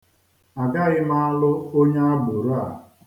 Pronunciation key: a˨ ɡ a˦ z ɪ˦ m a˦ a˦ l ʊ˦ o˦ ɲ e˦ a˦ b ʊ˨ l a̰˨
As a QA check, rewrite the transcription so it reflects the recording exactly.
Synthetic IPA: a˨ ɡ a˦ ɣ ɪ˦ m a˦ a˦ l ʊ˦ o˦ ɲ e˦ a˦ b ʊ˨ ɾ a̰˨